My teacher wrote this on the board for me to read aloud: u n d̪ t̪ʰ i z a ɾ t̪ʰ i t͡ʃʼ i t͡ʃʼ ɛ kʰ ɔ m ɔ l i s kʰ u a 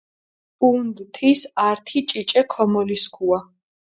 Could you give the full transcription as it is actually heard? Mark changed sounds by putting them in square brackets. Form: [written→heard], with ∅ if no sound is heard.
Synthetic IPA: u n d̪ t̪ʰ i [z→s] a ɾ t̪ʰ i t͡ʃʼ i t͡ʃʼ ɛ kʰ ɔ m ɔ l i s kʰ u a